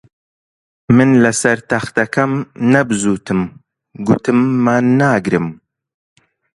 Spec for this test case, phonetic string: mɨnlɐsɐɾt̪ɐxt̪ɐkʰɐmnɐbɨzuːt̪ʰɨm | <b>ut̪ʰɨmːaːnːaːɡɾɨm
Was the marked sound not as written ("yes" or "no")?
yes